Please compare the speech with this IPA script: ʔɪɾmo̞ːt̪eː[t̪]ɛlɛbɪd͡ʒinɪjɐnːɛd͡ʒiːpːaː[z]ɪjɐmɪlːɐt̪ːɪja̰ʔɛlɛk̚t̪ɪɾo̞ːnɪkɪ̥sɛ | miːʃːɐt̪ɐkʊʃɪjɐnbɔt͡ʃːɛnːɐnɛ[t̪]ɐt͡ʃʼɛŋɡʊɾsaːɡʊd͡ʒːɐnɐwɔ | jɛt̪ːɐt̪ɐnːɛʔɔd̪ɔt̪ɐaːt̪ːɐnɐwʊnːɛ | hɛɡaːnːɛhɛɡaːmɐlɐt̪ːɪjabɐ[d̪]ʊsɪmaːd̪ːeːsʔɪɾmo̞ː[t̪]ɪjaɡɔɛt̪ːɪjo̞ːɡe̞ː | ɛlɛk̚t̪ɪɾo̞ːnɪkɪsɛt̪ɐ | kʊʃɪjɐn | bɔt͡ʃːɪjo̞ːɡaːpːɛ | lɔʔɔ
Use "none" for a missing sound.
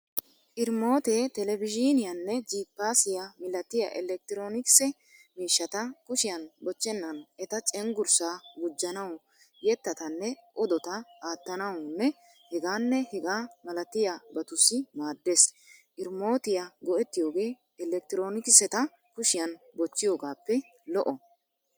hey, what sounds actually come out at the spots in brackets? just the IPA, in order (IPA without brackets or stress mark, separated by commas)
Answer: t̪, s, t̪, t̪, t̪